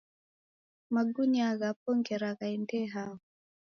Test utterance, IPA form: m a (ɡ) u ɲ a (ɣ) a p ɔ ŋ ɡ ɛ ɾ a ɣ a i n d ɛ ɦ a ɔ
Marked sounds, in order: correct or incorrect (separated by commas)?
correct, correct